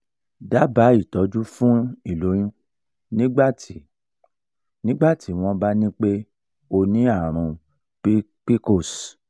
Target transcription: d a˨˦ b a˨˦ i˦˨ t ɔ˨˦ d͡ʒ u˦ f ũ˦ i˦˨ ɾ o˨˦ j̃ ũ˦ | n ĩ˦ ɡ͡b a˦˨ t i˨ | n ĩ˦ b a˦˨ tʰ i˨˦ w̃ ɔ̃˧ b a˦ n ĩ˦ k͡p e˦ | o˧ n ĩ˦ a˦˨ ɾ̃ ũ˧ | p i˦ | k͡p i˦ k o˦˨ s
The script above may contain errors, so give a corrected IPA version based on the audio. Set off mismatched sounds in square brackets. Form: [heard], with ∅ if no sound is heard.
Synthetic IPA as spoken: d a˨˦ b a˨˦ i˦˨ t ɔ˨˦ d͡ʒ u˦ f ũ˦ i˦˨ [l] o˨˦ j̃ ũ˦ | n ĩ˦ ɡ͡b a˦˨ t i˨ | n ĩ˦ [ɡ͡b] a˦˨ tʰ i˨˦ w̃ ɔ̃˧ b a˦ n ĩ˦ k͡p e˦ | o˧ n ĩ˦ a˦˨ ɾ̃ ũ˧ | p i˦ | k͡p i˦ k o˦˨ s